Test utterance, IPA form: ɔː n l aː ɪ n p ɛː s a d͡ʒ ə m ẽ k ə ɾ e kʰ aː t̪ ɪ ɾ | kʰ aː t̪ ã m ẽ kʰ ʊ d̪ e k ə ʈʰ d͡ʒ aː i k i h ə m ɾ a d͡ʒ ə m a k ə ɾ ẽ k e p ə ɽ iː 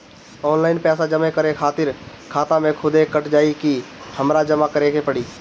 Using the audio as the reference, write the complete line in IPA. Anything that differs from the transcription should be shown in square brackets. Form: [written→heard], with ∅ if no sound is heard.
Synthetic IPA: ɔː n l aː ɪ n p ɛː s a d͡ʒ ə m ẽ k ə ɾ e kʰ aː t̪ ɪ ɾ | kʰ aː t̪ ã m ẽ kʰ ʊ d̪ e k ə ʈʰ d͡ʒ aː i k i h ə m ɾ a d͡ʒ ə m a k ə ɾ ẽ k e p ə ɽ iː